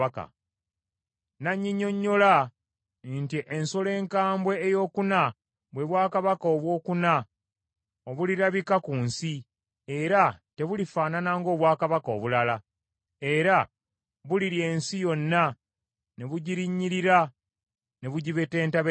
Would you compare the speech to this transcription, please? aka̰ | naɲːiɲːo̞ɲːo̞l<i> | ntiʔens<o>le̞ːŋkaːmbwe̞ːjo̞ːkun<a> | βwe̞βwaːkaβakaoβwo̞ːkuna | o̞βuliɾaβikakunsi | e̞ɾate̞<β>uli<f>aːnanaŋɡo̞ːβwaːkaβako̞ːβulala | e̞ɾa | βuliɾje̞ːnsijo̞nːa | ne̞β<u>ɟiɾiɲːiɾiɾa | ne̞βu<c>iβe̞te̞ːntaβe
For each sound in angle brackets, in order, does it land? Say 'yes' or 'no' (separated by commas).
no, yes, yes, yes, yes, yes, no